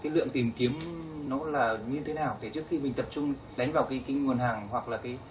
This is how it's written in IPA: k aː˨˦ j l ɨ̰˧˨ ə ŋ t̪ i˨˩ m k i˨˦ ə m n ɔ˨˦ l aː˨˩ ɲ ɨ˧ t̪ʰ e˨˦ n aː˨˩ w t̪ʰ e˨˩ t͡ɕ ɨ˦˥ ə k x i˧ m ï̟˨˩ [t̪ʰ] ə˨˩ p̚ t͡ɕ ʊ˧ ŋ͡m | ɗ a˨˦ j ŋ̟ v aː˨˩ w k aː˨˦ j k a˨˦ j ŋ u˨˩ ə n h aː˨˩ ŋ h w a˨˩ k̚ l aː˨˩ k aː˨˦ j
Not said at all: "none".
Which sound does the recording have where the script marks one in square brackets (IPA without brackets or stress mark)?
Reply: t̪